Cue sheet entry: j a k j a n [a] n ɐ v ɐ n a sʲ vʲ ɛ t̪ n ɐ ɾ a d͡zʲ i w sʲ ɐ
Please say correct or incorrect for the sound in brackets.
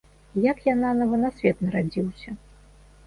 correct